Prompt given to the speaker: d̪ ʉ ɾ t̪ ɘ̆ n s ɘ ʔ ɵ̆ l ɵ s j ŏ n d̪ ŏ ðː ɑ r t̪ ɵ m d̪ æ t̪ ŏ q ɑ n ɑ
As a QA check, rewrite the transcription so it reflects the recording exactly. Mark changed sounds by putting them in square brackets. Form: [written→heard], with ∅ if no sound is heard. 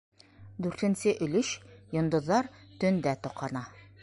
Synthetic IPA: d̪ ʉ ɾ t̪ ɘ̆ n s ɘ ʔ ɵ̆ l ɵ [s→ʃ] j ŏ n d̪ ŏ ðː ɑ [r→ɾ] t̪ ɵ [m→n] d̪ æ t̪ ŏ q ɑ n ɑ